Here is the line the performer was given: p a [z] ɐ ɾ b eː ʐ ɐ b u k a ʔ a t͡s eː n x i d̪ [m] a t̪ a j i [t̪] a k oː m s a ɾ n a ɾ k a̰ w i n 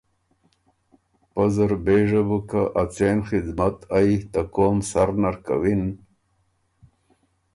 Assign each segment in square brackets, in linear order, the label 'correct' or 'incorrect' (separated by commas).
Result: correct, correct, correct